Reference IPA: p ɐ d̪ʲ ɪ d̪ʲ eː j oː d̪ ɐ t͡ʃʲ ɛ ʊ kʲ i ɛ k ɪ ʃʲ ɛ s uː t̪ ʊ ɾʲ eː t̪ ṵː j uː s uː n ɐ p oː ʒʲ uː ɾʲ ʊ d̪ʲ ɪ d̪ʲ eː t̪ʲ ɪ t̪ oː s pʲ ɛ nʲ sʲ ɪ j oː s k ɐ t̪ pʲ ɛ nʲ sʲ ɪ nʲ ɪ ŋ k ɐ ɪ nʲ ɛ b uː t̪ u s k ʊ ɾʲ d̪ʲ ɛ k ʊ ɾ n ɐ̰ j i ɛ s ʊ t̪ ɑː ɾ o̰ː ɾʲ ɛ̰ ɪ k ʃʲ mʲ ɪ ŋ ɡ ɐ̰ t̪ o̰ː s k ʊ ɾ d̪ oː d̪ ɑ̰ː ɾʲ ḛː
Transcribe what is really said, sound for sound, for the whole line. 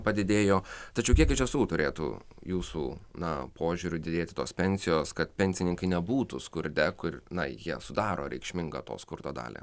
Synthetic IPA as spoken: p ɐ d̪ʲ ɪ d̪ʲ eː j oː t̪ ɐ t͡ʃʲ ɛ ʊ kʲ i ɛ k ɪ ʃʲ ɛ s uː t̪ ʊ ɾʲ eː t̪ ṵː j uː s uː n ɐ p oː ʒʲ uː ɾʲ ʊ d̪ʲ ɪ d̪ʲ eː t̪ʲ ɪ t̪ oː s pʲ ɛ nʲ sʲ ɪ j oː s k ɐ t̪ pʲ ɛ nʲ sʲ ɪ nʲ ɪ ŋ k ɐ ɪ nʲ ɛ b uː t̪ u s k ʊ ɾʲ d̪ʲ ɛ k ʊ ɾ n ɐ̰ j i ɛ s ʊ d̪ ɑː ɾ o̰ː ɾʲ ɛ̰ ɪ k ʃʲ mʲ ɪ ŋ ɡ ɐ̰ t̪ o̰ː s k ʊ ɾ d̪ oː d̪ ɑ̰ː lʲ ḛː